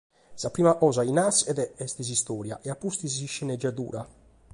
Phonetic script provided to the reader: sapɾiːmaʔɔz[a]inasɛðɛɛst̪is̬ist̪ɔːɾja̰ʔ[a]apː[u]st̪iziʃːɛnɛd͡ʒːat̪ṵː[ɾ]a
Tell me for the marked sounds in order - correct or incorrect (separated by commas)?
correct, incorrect, correct, correct